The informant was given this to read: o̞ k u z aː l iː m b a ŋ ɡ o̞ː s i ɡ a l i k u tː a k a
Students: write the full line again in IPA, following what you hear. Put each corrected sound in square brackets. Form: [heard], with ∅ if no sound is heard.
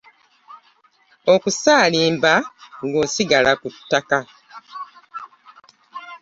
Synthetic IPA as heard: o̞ k u [s] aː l iː m b a ŋ ɡ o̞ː s i ɡ a l [a] k u tː a k a